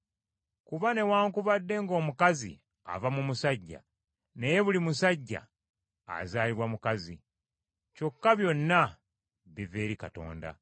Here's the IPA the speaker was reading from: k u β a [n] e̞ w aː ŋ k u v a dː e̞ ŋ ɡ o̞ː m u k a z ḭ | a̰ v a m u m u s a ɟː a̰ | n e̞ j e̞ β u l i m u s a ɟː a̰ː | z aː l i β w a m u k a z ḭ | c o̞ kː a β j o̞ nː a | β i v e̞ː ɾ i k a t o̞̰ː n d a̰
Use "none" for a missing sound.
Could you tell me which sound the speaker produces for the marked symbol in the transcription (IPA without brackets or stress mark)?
n